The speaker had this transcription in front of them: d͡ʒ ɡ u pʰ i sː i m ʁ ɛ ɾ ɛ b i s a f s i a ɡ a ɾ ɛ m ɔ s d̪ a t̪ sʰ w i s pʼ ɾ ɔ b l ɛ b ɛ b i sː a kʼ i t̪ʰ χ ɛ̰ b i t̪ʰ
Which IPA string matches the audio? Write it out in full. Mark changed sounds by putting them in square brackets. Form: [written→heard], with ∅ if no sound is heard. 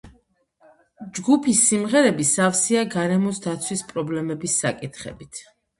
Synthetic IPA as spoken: d͡ʒ ɡ u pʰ i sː i m ʁ ɛ ɾ ɛ b i s a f s i a ɡ a ɾ ɛ m ɔ s d̪ a t̪ sʰ w i s pʼ ɾ ɔ b l ɛ [b→m] ɛ b i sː a kʼ i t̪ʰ χ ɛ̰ b i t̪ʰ